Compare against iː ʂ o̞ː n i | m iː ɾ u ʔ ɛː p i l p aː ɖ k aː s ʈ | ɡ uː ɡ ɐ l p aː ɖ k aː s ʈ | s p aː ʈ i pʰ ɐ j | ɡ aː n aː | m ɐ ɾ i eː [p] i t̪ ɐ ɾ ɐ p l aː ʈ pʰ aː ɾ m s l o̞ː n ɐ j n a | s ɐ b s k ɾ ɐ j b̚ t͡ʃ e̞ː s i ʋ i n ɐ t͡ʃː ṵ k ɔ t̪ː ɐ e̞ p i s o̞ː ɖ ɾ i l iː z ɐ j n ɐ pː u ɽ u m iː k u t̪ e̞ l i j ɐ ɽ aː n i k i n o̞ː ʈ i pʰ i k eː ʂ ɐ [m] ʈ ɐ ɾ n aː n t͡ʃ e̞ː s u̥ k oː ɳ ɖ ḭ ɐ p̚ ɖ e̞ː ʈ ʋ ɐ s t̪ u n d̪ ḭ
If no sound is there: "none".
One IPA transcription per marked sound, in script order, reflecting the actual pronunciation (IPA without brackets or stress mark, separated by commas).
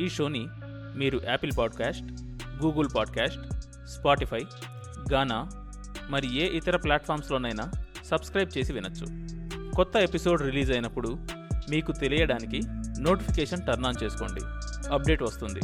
ʔ, n